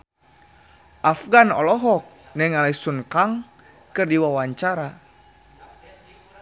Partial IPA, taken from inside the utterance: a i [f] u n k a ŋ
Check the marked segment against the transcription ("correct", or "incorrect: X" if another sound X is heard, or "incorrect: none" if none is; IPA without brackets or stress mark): incorrect: s